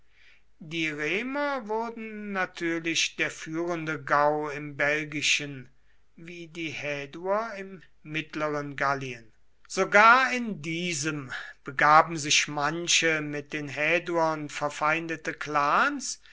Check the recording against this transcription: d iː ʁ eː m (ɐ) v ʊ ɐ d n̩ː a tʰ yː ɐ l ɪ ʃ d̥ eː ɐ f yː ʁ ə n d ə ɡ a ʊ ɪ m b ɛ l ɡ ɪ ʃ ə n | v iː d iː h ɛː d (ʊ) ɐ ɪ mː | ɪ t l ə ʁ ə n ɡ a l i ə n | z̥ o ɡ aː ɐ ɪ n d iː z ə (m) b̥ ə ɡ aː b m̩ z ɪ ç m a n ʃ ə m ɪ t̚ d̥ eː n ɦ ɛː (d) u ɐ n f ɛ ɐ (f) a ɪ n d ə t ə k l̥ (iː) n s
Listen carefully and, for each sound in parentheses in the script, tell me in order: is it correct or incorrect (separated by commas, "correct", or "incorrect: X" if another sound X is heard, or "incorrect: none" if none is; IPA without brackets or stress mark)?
correct, incorrect: u, correct, correct, correct, incorrect: aː